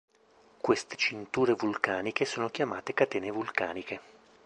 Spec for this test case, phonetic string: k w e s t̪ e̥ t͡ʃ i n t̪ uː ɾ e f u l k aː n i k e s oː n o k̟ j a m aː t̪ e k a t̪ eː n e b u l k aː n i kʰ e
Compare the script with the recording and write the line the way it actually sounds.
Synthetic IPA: k w e s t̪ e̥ t͡ʃ i n t̪ uː ɾ e v u l k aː n i k e s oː n o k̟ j a m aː t̪ e k a t̪ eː n e v u l k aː n i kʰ e